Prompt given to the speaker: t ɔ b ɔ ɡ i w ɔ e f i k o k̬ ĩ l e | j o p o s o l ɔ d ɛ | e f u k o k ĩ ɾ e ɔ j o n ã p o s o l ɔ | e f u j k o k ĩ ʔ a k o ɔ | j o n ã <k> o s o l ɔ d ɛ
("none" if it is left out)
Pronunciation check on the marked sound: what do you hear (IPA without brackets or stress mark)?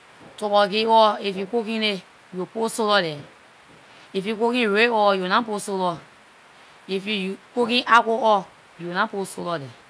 p